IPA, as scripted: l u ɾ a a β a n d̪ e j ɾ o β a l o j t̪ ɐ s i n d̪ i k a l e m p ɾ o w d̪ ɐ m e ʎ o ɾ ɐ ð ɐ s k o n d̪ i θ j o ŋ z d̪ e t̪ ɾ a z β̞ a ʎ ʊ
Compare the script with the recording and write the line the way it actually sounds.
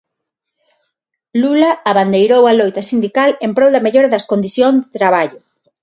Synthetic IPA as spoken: l u l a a β a n d̪ e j ɾ o w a l o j t̪ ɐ s i n d̪ i k a l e m p ɾ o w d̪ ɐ m e ʎ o ɾ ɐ ð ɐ s k o n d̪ i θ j o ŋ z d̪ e t̪ ɾ a β̞ a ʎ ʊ